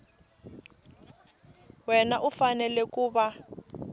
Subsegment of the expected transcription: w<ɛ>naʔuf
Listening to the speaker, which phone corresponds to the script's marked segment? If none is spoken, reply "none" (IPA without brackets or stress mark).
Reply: ɛ